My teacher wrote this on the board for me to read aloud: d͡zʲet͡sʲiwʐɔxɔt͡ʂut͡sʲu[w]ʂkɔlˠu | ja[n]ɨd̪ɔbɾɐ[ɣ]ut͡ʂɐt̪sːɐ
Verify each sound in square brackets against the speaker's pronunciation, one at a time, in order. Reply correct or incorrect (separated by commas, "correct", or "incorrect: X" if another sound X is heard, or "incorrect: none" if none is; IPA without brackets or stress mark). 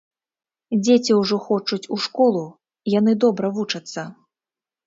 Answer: incorrect: none, correct, incorrect: v